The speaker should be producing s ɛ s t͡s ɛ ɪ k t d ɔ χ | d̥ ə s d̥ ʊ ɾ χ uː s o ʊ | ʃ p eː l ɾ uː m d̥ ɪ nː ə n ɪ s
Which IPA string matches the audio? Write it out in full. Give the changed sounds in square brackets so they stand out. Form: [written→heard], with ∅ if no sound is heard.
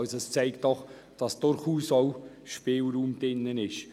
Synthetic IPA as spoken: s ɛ s t͡s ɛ ɪ k t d ɔ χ | d̥ [ə→ɑ] s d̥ ʊ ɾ χ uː s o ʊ | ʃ p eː l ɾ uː m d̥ ɪ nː ə n ɪ [s→ʃ]